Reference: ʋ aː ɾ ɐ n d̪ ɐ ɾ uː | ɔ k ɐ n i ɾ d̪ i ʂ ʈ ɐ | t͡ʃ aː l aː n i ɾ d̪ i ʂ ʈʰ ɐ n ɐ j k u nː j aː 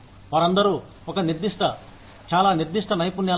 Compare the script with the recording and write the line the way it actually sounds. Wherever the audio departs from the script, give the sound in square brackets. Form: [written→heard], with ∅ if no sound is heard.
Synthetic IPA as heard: ʋ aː ɾ ɐ n d̪ ɐ ɾ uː | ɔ k ɐ n i ɾ d̪ i ʂ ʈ ɐ | t͡ʃ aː l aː n i ɾ d̪ i ʂ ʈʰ ɐ n ɐ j [k→p] u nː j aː